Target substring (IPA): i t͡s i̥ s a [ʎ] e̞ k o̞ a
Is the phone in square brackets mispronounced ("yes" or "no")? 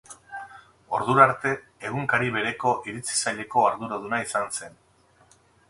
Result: no